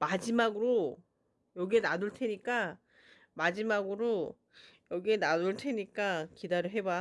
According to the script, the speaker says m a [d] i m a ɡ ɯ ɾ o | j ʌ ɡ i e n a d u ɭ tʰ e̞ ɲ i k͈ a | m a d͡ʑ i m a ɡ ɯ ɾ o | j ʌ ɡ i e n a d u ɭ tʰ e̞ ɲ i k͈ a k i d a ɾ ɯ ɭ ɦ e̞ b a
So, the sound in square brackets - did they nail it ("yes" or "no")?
no